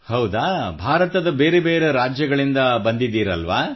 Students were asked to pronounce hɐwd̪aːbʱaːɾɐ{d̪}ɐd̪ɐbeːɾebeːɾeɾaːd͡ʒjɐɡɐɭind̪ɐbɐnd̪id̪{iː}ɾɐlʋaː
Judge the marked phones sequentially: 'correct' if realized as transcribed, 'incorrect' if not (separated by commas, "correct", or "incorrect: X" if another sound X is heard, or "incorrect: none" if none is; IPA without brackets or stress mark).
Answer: incorrect: t̪, correct